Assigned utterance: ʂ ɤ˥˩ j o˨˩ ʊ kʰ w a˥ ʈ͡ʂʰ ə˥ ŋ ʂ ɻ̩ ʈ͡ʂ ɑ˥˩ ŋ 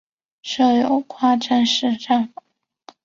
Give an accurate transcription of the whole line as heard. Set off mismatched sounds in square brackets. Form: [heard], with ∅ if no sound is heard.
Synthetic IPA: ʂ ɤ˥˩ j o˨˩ ʊ kʰ w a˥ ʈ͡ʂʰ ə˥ [n] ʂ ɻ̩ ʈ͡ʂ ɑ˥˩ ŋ

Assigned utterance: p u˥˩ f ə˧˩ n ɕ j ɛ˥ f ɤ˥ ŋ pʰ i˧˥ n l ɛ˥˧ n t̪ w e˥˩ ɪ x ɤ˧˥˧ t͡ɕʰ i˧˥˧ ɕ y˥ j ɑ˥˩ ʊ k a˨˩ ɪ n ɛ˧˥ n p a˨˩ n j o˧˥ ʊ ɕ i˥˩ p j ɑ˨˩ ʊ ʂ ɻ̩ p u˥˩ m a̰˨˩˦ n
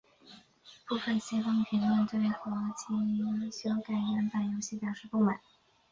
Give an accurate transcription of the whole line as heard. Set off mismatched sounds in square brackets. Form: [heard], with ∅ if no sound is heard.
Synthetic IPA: p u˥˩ f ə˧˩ n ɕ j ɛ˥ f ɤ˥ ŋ pʰ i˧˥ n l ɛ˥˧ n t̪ w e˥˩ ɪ x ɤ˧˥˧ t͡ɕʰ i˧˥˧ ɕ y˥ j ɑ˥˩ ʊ k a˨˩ ɪ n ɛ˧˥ n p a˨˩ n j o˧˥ ʊ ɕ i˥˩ p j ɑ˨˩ ʊ ʂ ɻ̩ p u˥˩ m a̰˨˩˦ n

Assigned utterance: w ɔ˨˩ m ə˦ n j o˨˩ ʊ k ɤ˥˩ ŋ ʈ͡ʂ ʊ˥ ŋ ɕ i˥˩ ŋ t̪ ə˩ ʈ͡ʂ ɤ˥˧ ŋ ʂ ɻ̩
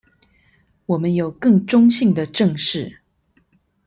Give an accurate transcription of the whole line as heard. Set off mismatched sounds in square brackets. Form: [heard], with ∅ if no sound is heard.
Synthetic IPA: w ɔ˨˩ m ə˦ n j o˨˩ ʊ k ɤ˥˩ ŋ ʈ͡ʂ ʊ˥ ŋ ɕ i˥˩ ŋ [d̪] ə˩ ʈ͡ʂ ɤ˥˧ ŋ ʂ ɻ̩

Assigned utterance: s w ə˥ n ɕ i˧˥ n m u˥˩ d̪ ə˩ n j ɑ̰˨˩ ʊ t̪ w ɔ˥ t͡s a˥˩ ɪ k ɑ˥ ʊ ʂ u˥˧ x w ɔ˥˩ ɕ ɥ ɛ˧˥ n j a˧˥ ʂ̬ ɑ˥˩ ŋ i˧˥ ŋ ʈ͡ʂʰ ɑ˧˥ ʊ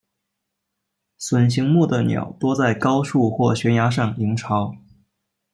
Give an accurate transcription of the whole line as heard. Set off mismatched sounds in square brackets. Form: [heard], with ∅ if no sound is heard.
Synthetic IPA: s w [ə˨˩] n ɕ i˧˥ [ŋ] m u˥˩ d̪ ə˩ n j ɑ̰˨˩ ʊ t̪ w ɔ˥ t͡s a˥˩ ɪ k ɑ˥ ʊ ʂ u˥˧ x w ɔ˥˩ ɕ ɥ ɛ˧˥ n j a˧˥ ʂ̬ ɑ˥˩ ŋ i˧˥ ŋ ʈ͡ʂʰ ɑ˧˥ ʊ

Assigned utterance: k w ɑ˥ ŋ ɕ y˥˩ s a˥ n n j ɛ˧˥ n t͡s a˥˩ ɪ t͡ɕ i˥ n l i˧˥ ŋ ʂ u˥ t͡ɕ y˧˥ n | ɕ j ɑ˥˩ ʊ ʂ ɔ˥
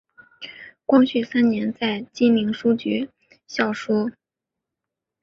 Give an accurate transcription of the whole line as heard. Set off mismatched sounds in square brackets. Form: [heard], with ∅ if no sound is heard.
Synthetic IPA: k w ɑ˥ ŋ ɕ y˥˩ s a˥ n n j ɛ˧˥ n t͡s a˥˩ ɪ t͡ɕ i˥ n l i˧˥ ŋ ʂ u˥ t͡ɕ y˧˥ [∅] | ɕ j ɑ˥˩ ʊ ʂ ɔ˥

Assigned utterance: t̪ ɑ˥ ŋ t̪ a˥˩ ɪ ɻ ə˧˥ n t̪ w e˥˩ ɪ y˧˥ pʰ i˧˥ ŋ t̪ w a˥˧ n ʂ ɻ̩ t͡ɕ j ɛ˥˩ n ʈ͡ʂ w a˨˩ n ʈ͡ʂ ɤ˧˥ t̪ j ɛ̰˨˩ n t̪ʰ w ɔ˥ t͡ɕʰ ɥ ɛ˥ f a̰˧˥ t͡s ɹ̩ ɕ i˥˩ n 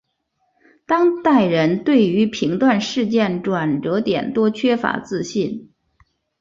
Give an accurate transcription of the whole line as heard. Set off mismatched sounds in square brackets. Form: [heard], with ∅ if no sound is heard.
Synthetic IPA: t̪ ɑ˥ ŋ t̪ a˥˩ ɪ ɻ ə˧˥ n t̪ w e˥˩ ɪ y˧˥ pʰ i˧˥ ŋ t̪ w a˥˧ n ʂ ɻ̩ t͡ɕ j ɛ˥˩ n ʈ͡ʂ w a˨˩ n ʈ͡ʂ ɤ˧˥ t̪ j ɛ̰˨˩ n [t̪] w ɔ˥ t͡ɕʰ ɥ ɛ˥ f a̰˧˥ t͡s ɹ̩ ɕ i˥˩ n

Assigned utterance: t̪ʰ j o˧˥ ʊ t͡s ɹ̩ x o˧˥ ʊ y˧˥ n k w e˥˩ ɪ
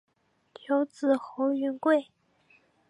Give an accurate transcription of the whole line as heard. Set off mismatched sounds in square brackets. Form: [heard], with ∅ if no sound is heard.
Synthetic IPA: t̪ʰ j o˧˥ ʊ t͡s ɹ̩ x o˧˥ ʊ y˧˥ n k w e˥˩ ɪ

